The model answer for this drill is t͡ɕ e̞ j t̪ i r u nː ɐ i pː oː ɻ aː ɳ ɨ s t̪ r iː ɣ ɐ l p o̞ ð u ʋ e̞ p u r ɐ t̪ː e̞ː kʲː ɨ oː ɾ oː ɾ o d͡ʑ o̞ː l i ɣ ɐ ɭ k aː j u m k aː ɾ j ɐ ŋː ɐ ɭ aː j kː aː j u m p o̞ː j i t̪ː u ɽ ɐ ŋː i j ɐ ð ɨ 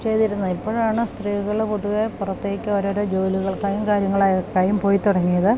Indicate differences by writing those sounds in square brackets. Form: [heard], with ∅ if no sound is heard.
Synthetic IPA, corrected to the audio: t͡ɕ e̞ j t̪ i [ɾ] u nː ɐ i pː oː ɻ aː ɳ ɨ s t̪ r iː ɣ ɐ [ɭ] p o̞ ð u ʋ e̞ p u r ɐ t̪ː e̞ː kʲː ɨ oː ɾ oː ɾ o d͡ʑ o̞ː l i ɣ ɐ ɭ k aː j u m k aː ɾ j ɐ ŋː ɐ ɭ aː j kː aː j u m p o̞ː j i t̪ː u ɽ ɐ ŋː i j ɐ ð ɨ

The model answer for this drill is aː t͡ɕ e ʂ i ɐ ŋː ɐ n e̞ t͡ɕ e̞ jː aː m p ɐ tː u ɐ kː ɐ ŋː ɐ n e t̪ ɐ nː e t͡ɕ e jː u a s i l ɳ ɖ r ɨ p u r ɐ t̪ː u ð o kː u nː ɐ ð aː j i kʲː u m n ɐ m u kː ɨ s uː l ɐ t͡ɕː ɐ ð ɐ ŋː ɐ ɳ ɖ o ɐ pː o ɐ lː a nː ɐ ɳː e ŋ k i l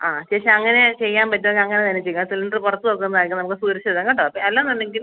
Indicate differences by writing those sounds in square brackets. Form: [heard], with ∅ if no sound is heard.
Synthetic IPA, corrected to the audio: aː t͡ɕ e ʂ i ɐ ŋː ɐ n e̞ t͡ɕ e̞ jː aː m p ɐ tː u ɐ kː ɐ ŋː ɐ n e t̪ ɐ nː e t͡ɕ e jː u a s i l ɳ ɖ r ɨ p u r ɐ t̪ː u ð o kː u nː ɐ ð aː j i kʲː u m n ɐ m u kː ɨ s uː [ɾ] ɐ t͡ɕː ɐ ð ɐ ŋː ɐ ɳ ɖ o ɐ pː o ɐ lː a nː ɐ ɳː e ŋ [ɡ] i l

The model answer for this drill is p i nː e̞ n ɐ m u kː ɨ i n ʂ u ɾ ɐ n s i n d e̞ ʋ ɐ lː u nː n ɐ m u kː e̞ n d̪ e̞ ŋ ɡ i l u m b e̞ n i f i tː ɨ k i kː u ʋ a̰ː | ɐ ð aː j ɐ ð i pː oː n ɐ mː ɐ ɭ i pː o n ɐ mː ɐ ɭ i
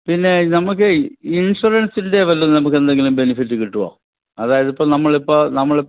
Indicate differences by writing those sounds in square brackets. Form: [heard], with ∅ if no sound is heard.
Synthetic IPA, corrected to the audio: p i nː e̞ n ɐ m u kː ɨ i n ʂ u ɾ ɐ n s i n d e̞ ʋ ɐ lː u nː n ɐ m u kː e̞ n d̪ e̞ ŋ ɡ i l u m b e̞ n i f i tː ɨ k i [ʈː] u ʋ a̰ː | ɐ ð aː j ɐ ð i pː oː n ɐ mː ɐ ɭ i pː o n ɐ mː ɐ ɭ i

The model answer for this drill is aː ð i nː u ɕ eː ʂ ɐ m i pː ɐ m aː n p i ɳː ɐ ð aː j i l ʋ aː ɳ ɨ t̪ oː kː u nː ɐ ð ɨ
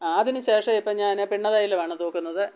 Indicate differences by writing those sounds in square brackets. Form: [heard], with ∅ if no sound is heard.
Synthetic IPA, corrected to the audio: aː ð i [n] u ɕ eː ʂ ɐ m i pː ɐ [ɲ] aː n p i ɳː ɐ ð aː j i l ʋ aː ɳ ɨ t̪ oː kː u nː ɐ ð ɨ

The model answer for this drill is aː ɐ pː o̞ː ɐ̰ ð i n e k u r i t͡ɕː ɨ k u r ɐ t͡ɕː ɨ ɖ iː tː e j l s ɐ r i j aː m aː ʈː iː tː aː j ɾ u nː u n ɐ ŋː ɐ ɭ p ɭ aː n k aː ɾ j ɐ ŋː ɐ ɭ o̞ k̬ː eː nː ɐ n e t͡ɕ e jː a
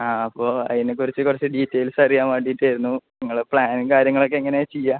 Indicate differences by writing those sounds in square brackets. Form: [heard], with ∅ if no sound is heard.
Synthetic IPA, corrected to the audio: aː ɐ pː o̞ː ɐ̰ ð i n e k u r i t͡ɕː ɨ k u r ɐ t͡ɕː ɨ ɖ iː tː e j l s ɐ r i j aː m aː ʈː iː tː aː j ɾ u nː u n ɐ ŋː ɐ ɭ p ɭ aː n k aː ɾ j ɐ ŋː ɐ ɭ o̞ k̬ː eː [ŋː] ɐ n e t͡ɕ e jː a

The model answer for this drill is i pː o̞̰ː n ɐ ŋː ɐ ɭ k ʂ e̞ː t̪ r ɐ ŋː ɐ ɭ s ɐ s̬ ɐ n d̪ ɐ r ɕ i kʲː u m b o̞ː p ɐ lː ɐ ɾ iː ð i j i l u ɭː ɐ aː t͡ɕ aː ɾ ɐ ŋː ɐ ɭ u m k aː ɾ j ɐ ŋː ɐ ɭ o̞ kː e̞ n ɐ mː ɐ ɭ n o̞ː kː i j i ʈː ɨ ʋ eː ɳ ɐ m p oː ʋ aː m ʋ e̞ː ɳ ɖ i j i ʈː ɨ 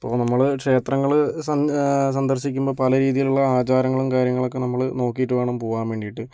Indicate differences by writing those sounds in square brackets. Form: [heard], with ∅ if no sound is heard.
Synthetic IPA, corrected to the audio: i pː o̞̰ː n ɐ [mː] ɐ ɭ k ʂ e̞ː t̪ r ɐ ŋː ɐ ɭ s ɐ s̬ ɐ n d̪ ɐ r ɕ i kʲː u m b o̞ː p ɐ [l] ɐ ɾ iː ð i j i l u ɭː ɐ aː t͡ɕ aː ɾ ɐ ŋː ɐ ɭ u m k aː ɾ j ɐ ŋː ɐ ɭ o̞ kː e̞ n ɐ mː ɐ ɭ n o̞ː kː i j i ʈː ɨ ʋ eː ɳ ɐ m p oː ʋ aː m ʋ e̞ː ɳ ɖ i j i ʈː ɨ

